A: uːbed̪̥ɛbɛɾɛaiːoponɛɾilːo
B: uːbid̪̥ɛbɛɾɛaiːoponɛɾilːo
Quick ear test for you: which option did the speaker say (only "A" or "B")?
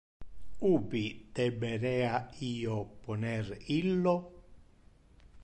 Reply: B